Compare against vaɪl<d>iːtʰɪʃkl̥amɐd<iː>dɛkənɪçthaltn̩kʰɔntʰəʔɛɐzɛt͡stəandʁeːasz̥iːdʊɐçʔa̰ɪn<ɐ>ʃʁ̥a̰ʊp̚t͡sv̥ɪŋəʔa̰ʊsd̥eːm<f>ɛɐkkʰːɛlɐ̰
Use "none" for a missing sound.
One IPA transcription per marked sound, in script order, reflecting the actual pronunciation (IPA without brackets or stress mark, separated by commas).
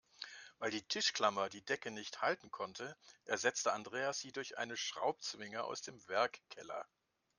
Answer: d, iː, ə, v